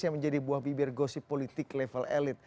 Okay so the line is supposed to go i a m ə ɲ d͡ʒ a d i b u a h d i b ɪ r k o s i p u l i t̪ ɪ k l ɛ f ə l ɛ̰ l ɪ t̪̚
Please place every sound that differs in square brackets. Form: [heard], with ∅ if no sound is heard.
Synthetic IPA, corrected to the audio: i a m ə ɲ d͡ʒ a d i b u a h [b] i b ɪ r [ɡ] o s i p [o] l i t̪ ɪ k l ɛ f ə l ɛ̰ l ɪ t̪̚

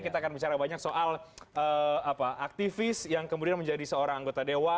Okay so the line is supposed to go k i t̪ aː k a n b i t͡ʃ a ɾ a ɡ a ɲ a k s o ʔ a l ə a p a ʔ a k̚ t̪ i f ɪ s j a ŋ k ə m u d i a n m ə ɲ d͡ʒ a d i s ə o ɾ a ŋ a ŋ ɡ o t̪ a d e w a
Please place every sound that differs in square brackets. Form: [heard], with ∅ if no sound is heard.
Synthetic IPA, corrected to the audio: k i t̪ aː k a n b i t͡ʃ a ɾ a [b] a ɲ a k s o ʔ a l ə a p a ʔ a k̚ t̪ i f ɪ s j a ŋ k ə m u d i a n m ə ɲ d͡ʒ a d i s ə o ɾ a ŋ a ŋ ɡ o t̪ a d e w a

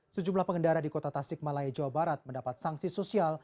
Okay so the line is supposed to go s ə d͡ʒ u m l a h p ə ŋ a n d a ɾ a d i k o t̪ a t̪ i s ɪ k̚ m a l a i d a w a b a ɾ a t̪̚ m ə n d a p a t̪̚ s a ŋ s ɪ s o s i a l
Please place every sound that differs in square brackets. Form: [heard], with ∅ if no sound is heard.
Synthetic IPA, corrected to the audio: s ə d͡ʒ u m l a h p ə ŋ [ə] n d a ɾ a d i k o t̪ a t̪ [a] s ɪ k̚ m a l a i [d͡ʒ] a w a b a ɾ a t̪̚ m ə n d a p a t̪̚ s a ŋ s [i] s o s i a l

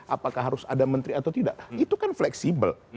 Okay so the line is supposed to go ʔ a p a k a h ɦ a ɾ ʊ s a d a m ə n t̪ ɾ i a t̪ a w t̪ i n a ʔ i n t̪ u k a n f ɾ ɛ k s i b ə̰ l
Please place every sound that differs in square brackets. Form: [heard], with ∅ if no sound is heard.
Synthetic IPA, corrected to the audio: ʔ a p a k a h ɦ a ɾ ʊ s a d a m ə n t̪ ɾ i a t̪ a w t̪ i [d] a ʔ i [∅] t̪ u k a n f [l] ɛ k s i b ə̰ l

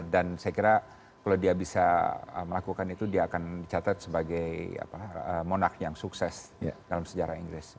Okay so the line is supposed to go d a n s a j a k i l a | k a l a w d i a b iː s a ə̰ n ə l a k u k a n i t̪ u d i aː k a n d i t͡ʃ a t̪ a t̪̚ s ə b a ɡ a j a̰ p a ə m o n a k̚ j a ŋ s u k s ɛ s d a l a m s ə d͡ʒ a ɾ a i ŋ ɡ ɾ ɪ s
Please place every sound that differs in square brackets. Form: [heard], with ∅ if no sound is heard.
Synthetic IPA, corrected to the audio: d a n s a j a k i [ɾ] a | k a l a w d i a b [i] s a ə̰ [m] ə l a k u k a n i t̪ u d i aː k a n d i t͡ʃ a t̪ a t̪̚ s ə b a ɡ a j a̰ p a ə m o n a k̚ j a ŋ s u k s ɛ s d a l a m s ə d͡ʒ a ɾ a i ŋ ɡ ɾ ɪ s

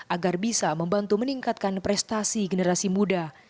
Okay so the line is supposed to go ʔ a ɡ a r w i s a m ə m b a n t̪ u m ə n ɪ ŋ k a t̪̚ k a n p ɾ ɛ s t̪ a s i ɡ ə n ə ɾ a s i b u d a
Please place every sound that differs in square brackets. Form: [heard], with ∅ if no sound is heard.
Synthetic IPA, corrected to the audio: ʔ a ɡ a r [b] i s a m ə m b a n t̪ u m ə n [i] ŋ k a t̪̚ k a n p ɾ ɛ s t̪ a s i ɡ ə n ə ɾ a s i [m] u d a

